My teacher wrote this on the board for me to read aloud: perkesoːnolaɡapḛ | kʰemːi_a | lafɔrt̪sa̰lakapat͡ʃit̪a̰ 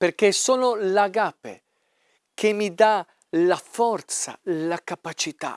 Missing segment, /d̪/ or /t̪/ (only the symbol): d̪